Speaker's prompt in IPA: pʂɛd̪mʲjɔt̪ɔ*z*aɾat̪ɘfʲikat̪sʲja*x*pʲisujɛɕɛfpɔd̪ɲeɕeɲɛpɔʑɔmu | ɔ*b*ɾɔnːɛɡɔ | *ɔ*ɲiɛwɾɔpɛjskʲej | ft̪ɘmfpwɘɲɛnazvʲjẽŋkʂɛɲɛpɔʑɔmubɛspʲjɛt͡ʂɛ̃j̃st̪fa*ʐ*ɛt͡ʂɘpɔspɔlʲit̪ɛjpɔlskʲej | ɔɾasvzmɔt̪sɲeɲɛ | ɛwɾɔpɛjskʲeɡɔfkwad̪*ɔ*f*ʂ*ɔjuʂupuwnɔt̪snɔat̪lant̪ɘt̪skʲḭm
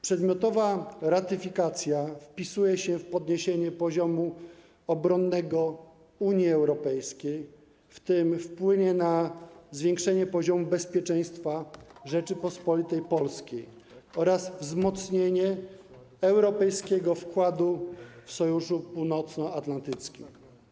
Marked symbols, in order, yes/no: no, no, yes, no, yes, no, no

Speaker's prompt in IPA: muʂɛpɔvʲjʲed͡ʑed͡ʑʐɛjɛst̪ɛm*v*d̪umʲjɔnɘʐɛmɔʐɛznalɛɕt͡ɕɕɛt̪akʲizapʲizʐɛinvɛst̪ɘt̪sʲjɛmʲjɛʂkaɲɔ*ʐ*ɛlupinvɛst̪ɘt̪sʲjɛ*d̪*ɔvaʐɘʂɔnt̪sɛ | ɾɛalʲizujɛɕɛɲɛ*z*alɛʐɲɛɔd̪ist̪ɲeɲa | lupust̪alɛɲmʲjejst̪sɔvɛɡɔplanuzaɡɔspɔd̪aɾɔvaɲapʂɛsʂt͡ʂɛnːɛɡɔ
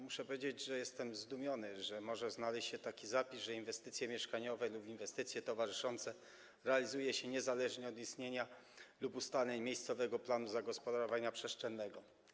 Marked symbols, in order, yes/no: no, no, no, yes

